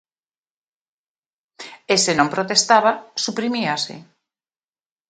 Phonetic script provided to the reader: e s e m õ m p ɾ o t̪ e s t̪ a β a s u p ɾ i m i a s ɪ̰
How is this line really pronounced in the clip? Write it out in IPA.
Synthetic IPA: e s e n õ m p ɾ o t̪ e s t̪ a β a s u p ɾ i m i a s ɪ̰

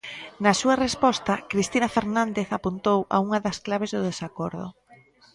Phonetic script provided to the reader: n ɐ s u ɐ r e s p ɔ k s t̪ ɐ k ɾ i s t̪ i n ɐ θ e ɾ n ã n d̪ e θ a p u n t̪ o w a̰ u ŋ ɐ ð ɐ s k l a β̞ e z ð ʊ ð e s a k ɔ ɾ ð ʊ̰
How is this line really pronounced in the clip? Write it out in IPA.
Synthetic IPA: n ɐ s u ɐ r e s p ɔ s t̪ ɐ k ɾ i s t̪ i n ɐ f e ɾ n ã n d̪ e θ a p u n t̪ o w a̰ u ŋ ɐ ð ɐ s k l a β̞ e z ð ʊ ð e s a k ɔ ɾ ð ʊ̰

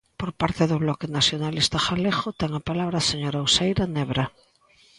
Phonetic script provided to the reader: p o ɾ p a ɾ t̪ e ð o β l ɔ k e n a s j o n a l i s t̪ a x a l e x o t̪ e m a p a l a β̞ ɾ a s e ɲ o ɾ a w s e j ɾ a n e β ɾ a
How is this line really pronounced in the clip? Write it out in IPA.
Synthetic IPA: p o ɾ p a ɾ t̪ e ð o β l ɔ k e n a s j o n a l i s t̪ a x a l e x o t̪ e ŋ a p a l a β̞ ɾ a s e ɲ o ɾ a w s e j ɾ a n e β ɾ a

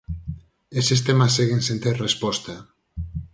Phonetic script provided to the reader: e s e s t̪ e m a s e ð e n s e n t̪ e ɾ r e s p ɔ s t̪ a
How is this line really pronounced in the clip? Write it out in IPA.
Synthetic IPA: e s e s t̪ e m a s e ɣ e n s e n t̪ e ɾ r e s p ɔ s t̪ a

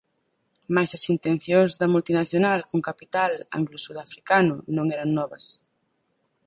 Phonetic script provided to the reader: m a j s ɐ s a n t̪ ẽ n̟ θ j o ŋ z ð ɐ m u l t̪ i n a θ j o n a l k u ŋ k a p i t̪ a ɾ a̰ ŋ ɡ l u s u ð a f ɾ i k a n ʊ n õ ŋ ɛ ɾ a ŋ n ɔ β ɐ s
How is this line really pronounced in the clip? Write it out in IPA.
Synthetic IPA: m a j s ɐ s i n t̪ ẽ n̟ θ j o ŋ z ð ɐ m u l t̪ i n a θ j o n a l k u ŋ k a p i t̪ a l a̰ ŋ ɡ l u s u ð a f ɾ i k a n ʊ n õ ŋ ɛ ɾ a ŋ n ɔ β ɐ s

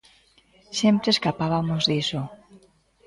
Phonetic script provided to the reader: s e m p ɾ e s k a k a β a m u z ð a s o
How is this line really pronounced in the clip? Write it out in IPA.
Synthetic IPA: s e m p ɾ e s k a p a β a m o z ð i s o

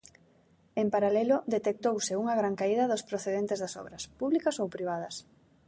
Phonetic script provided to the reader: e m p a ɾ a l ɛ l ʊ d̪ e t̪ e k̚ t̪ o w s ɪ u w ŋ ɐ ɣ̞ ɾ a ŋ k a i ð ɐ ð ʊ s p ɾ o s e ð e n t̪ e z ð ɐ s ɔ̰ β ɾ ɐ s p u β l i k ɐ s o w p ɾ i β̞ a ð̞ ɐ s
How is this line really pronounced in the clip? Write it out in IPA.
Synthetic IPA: e m p a ɾ a l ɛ l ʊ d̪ e t̪ e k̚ t̪ o w s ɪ u ŋ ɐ ɣ̞ ɾ a ŋ k a i ð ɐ ð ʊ s p ɾ o θ e ð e n t̪ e z ð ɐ s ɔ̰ β ɾ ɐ s p u β l i k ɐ s o w p ɾ i β̞ a ð̞ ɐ s

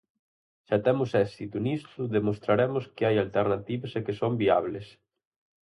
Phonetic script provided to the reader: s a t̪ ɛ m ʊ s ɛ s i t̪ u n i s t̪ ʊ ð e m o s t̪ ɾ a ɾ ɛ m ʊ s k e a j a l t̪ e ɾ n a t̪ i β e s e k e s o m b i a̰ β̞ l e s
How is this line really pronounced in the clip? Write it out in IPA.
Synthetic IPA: ʃ a t̪ ɛ m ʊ s ɛ s i t̪ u n i s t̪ ʊ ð e m o s t̪ ɾ a ɾ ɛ m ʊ s k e a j a l t̪ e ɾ n a t̪ i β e s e k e s o m b i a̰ β̞ l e s

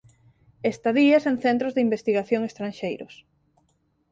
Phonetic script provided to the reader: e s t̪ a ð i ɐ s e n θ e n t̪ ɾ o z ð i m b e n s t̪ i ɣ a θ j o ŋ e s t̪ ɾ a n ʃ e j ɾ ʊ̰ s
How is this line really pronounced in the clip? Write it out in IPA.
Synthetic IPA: e s t̪ a ð i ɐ s e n θ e n t̪ ɾ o z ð i m b e s t̪ i ɣ a θ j o ŋ e s t̪ ɾ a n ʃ e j ɾ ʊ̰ s

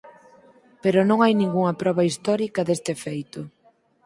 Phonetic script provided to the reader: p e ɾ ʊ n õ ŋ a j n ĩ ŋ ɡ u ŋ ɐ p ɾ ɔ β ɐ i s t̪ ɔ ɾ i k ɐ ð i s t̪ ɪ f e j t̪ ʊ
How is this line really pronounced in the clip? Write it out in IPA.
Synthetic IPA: p e ɾ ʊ n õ ŋ a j n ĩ ŋ ɡ u ŋ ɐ p ɾ ɔ β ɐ i s t̪ ɔ ɾ i k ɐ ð e s t̪ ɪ f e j t̪ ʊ

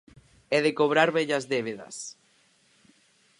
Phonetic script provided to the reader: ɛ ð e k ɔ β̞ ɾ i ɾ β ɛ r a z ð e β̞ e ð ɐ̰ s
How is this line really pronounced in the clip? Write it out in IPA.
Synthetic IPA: ɛ ð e k o β̞ ɾ a ɾ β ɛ ʎ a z ð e β̞ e ð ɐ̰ s

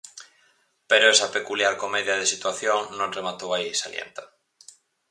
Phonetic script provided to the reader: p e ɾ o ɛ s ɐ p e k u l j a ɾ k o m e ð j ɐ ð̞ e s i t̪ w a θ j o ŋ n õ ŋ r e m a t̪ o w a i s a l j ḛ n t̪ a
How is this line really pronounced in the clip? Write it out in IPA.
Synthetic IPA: p e ɾ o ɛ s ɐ p e k u l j a ɾ k o m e ð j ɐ ð̞ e s i t̪ w a θ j o ŋ n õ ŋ r e m a t̪ o w a i s a l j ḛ n t̪ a

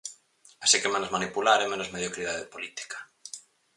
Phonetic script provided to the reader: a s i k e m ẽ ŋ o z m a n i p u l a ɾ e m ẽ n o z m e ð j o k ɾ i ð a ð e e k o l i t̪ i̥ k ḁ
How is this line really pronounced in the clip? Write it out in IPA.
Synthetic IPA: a s i k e m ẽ n o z m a n i p u l a ɾ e m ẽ n o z m e ð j o k ɾ i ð a ð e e p o l i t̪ i̥ k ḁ

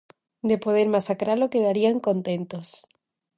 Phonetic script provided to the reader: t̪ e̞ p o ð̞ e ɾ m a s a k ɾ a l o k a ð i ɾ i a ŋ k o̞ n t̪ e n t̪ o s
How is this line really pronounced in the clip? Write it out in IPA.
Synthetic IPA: d̪ e̞ p o ð̞ e ɾ m a s a k ɾ a l o k e ð a ɾ i a ŋ k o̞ n t̪ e n t̪ o s

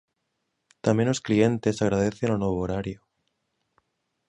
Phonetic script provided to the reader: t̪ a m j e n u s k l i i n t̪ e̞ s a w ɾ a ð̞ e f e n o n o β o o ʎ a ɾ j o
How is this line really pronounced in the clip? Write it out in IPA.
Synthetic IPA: t̪ a m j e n o s k l i e n t̪ e̞ s a ɣ ɾ a ð̞ e θ e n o n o β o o ɾ a ɾ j o

